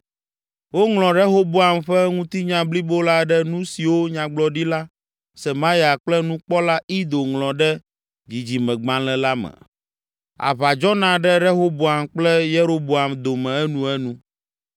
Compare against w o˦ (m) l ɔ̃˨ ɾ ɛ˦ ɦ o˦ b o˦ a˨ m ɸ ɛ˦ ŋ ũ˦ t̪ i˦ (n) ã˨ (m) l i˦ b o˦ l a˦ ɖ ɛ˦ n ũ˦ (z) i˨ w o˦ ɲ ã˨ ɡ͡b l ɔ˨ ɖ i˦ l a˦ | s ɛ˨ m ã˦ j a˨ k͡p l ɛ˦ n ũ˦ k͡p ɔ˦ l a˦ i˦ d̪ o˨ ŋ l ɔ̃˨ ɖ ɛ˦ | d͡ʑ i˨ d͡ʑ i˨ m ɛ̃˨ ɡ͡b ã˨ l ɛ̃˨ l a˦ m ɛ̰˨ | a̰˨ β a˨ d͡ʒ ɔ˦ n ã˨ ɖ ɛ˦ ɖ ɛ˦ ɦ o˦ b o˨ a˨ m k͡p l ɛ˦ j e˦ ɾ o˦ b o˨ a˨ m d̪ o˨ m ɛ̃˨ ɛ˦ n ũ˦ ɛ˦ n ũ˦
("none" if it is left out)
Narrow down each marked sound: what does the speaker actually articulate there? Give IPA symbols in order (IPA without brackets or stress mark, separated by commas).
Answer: ŋ, ɲ, b, s